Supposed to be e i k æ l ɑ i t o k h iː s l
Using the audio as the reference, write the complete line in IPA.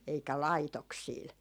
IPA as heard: e i k æ l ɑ i t o k s iː l

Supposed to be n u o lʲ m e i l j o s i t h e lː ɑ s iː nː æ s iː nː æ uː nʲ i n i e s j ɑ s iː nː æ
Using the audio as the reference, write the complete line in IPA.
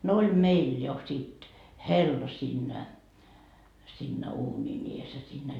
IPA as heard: n o o lʲ m e i l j o s i t h e lː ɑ s iː nː æ s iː nː æ uː nʲ i n i e s j ɑ s iː nː æ

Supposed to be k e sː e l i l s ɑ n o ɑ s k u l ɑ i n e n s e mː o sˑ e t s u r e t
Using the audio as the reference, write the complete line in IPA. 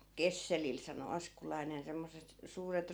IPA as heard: k e sː e l i l s ɑ n o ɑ s k u l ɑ i n e n s e mː o sˑ e t s uː r e t

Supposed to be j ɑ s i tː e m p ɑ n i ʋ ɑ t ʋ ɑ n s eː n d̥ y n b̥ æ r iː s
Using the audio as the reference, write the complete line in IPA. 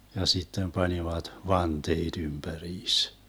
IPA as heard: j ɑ s i tː e m p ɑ n i ʋ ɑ t ʋ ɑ n t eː d̥ y m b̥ æ r iː s

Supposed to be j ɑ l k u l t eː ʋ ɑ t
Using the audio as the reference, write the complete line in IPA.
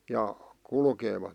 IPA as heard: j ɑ k u l k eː ʋ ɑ t

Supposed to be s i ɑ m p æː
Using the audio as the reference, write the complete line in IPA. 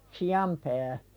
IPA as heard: s i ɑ m p æː

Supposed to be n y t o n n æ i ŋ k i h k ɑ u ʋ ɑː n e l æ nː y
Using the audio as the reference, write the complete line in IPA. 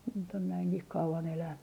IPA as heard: n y t o n n æ i ŋ k i h k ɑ u ʋ ɑ n e l æ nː y

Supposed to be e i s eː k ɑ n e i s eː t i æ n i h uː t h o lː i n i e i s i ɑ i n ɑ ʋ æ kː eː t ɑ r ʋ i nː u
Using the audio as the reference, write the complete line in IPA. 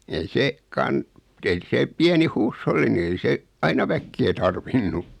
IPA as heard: e i s eː k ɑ n e i s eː p i æ n i h uː s h o lː i n i e i s e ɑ i n ɑ ʋ æ kː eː t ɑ r ʋ i nː u

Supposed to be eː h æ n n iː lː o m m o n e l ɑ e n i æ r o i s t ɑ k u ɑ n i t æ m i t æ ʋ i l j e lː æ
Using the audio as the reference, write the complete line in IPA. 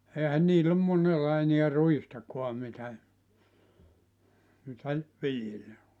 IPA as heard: eː h æ n n iː lː o m m o n e lː ɑ e n i æ r u i s t ɑ k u ɑ m i t æ m i t æ ʋ i l j e lː æ

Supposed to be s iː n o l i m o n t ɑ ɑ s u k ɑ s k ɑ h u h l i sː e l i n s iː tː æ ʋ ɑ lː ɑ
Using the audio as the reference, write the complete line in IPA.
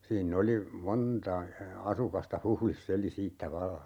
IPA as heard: s iː nː o l i m o n t ɑ ɑ s u k ɑ s t ɑ h u h l i sː e l i s iː tː æ ʋ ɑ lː ɑ

